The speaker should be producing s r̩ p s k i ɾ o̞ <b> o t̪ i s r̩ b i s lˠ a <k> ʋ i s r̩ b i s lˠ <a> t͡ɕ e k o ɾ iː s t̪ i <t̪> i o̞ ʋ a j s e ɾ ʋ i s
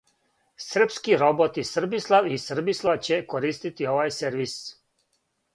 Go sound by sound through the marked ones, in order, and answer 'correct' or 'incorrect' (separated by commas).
correct, incorrect, correct, correct